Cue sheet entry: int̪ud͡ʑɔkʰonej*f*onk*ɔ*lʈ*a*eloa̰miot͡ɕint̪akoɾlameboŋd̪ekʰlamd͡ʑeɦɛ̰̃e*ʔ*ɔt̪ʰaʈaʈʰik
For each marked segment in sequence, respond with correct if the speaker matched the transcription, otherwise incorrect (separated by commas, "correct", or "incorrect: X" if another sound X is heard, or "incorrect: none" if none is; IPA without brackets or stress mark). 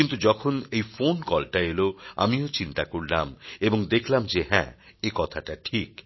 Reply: correct, correct, correct, incorrect: k